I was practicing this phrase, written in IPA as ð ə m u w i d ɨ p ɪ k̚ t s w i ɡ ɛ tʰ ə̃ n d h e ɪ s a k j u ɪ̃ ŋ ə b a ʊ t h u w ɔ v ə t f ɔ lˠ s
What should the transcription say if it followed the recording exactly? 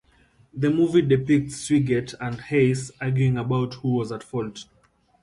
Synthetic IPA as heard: ð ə m u v i d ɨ p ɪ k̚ t s w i ɡ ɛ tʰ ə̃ n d h e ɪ s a ɡ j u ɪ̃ ŋ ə b a ʊ t h u w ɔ z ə t f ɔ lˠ t